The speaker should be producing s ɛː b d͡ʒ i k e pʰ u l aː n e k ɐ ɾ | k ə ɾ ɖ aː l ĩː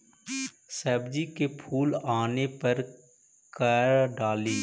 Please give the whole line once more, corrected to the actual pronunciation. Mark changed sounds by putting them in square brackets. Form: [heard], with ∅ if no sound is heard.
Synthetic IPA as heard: s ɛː b d͡ʒ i k e pʰ [uː] l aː n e [p] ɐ ɾ | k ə ɾ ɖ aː l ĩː